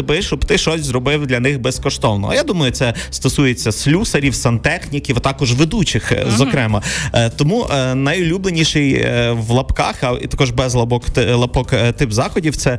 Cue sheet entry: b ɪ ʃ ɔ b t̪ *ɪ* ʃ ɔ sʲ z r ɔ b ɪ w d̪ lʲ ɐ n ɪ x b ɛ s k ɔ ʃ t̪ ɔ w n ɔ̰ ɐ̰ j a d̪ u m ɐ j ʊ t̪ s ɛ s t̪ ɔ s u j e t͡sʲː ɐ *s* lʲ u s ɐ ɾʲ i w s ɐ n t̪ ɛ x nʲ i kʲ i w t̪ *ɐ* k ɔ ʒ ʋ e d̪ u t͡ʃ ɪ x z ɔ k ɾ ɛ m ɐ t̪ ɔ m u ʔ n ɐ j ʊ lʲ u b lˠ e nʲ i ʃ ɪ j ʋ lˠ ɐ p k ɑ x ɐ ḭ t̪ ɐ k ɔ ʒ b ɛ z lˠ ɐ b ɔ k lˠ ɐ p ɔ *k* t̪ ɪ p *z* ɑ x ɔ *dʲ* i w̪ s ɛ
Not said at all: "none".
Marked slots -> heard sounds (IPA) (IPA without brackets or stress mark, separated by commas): ɪ, s, ɑ, k, z, dʲ